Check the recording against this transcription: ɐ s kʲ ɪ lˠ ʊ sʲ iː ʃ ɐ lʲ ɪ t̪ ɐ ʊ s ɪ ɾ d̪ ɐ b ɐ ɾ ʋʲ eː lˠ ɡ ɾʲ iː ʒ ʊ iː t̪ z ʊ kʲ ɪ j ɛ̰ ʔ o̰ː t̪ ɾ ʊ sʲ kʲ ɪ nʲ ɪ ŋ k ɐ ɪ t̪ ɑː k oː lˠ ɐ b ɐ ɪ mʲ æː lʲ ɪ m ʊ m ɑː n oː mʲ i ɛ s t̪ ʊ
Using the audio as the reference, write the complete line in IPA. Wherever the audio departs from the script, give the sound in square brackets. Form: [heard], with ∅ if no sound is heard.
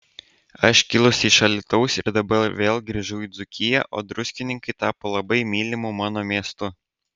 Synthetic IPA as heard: ɐ [ʃ] kʲ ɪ lˠ ʊ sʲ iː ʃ ɐ lʲ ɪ t̪ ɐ ʊ s ɪ ɾ d̪ ɐ b ɐ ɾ ʋʲ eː lˠ ɡ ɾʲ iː ʒ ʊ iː [d̪] z ʊ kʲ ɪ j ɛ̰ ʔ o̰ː [d̪] ɾ ʊ sʲ kʲ ɪ nʲ ɪ ŋ k ɐ ɪ t̪ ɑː [p] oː lˠ ɐ b ɐ ɪ mʲ [iː] lʲ ɪ m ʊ m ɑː n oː mʲ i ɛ s t̪ ʊ

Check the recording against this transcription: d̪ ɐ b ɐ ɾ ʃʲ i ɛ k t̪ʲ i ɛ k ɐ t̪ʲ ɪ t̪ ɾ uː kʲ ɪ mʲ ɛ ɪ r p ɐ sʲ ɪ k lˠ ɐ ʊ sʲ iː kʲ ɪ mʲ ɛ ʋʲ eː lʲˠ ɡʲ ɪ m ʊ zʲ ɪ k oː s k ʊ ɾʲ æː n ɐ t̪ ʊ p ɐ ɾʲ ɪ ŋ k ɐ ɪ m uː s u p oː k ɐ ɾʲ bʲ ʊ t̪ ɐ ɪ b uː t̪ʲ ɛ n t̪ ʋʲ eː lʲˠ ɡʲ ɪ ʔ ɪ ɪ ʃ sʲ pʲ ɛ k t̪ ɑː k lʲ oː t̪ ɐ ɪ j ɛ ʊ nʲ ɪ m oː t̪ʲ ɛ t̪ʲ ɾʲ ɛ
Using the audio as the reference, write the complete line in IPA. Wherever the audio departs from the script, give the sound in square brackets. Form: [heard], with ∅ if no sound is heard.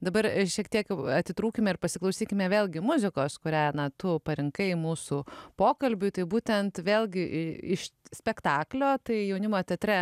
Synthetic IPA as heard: d̪ ɐ b ɐ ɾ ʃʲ i ɛ k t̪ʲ i ɛ k ɐ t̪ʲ ɪ t̪ ɾ uː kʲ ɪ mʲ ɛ ɪ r p ɐ sʲ ɪ k lˠ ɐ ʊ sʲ iː kʲ ɪ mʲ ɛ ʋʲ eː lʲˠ ɡʲ ɪ m ʊ zʲ ɪ k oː s k ʊ ɾʲ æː n ɐ t̪ ʊ p ɐ ɾʲ ɪ ŋ k ɐ ɪ m uː s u p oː k ɐ [lʲ] bʲ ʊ t̪ ɐ ɪ b uː t̪ʲ ɛ n t̪ ʋʲ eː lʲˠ ɡʲ ɪ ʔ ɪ ɪ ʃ sʲ pʲ ɛ k t̪ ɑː k lʲ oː t̪ ɐ ɪ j ɛ ʊ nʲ ɪ m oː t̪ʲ ɛ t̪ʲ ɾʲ ɛ

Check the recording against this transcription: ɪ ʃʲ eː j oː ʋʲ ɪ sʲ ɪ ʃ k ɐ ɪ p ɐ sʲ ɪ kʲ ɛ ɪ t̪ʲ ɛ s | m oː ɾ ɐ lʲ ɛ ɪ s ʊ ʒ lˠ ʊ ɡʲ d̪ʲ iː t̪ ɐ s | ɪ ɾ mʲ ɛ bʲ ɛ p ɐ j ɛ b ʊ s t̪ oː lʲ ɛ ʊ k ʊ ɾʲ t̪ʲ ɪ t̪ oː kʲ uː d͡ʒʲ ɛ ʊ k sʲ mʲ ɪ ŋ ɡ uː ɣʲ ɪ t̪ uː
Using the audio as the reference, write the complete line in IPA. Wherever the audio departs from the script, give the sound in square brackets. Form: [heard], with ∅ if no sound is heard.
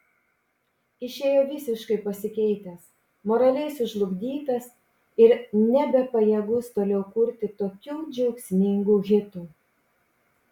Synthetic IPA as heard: ɪ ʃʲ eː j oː ʋʲ ɪ sʲ ɪ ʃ k ɐ ɪ p ɐ sʲ ɪ kʲ ɛ ɪ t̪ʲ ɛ s | m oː ɾ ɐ lʲ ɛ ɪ s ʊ ʒ lˠ ʊ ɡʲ d̪ʲ iː t̪ ɐ s | ɪ ɾ [nʲ] ɛ bʲ ɛ p ɐ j ɛ [ɡ] ʊ s t̪ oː lʲ ɛ ʊ k ʊ ɾʲ t̪ʲ ɪ t̪ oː kʲ uː d͡ʒʲ ɛ ʊ k sʲ mʲ ɪ ŋ ɡ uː ɣʲ ɪ t̪ uː

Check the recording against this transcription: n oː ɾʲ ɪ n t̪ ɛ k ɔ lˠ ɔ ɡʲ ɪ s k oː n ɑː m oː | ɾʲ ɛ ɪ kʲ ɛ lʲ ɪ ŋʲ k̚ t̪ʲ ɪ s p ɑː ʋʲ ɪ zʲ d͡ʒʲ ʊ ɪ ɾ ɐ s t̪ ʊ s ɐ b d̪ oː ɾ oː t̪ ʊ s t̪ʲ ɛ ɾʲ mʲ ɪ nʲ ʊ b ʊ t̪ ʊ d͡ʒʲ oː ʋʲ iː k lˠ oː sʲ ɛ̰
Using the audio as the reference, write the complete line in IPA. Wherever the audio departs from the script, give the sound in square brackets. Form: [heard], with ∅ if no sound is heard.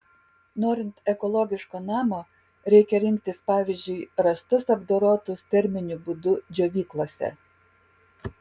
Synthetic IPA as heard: n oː ɾʲ ɪ n t̪ ɛ k ɔ lˠ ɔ ɡʲ ɪ [ʃ] k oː n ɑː m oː | ɾʲ ɛ ɪ kʲ ɛ [ɾʲ] ɪ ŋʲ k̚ t̪ʲ ɪ s p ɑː ʋʲ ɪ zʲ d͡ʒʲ ʊ ɪ ɾ ɐ s t̪ ʊ s ɐ b d̪ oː ɾ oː t̪ ʊ s t̪ʲ ɛ ɾʲ mʲ ɪ nʲ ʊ b ʊ [d̪] ʊ d͡ʒʲ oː ʋʲ iː k lˠ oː sʲ ɛ̰

